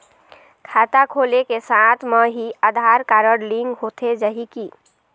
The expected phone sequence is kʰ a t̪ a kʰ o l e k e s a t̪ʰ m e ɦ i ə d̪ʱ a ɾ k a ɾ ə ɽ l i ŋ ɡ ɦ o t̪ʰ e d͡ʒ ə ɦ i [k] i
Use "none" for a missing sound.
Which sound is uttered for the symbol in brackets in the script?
k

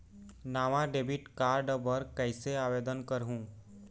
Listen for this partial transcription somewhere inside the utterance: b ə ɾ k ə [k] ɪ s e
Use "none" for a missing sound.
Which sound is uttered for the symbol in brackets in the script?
none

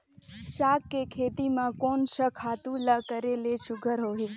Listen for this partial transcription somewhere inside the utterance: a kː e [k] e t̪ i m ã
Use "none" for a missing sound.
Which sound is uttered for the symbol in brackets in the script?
kʰ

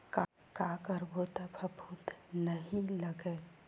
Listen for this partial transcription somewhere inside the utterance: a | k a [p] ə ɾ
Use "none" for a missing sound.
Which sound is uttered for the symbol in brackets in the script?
k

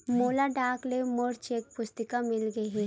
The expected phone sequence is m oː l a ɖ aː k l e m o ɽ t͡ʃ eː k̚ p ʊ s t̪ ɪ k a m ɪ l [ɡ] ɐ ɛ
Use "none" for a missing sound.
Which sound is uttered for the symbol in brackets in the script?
ɡ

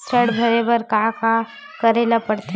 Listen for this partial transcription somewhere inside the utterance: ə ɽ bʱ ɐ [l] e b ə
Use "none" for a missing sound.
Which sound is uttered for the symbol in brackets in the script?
ɾ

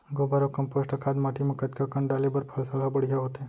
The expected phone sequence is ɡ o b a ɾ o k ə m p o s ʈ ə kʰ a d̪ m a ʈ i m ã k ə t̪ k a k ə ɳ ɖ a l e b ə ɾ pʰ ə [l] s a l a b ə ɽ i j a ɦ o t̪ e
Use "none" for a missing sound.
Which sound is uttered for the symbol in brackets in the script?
l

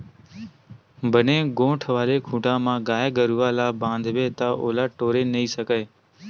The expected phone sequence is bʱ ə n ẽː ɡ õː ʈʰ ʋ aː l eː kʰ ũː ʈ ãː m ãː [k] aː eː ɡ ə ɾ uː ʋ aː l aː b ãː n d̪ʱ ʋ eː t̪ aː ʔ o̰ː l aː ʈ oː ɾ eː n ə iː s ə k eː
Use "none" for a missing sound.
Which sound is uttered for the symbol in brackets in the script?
ɡ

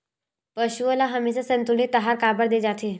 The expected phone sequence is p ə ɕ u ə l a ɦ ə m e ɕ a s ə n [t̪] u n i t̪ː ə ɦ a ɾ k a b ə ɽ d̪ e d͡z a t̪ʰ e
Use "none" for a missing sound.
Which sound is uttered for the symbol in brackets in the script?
t̪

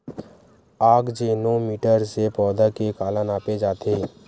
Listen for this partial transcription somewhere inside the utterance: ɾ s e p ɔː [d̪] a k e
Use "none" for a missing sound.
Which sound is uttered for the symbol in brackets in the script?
d̪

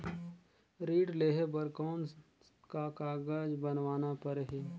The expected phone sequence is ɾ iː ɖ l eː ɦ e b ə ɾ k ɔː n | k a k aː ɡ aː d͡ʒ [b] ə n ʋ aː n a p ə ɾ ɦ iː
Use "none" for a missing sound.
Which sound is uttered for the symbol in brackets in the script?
b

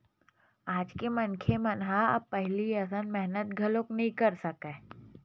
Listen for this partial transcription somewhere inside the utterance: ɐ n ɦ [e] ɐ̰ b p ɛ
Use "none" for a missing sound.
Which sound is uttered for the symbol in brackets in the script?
a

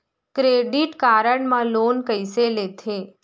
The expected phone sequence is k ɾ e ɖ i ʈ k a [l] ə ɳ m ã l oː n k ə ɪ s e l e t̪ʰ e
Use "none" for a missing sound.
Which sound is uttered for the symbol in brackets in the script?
ɾ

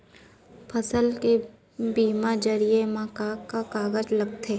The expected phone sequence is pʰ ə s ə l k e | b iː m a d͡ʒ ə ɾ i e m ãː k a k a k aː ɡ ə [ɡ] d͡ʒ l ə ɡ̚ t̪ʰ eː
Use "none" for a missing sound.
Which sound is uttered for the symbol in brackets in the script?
none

